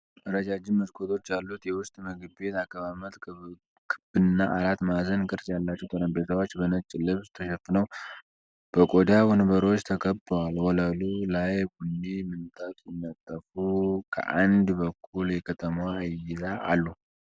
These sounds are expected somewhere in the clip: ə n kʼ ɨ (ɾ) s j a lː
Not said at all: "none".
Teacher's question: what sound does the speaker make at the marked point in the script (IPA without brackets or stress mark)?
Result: ɾ